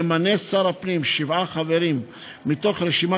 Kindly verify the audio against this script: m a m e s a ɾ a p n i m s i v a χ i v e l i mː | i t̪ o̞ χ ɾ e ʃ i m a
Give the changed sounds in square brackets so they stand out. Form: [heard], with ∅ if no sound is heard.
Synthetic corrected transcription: m a [n] e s a ɾ a p n i m [ʃ] i v a χ [a] v e [ɾ] i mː | i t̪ o̞ χ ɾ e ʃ i m a